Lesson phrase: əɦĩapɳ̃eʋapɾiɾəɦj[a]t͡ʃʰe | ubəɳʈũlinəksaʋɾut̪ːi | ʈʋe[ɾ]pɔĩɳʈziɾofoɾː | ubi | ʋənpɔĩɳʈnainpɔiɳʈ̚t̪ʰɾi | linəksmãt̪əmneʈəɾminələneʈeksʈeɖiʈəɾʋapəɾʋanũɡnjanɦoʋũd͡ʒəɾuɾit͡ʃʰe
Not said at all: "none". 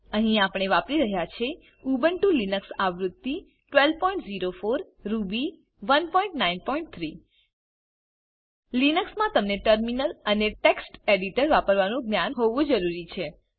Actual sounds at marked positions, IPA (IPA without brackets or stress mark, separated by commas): a, l